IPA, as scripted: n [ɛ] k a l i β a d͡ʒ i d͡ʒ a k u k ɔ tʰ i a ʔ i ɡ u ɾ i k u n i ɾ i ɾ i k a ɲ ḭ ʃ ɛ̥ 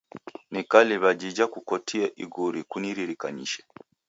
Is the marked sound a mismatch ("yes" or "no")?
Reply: yes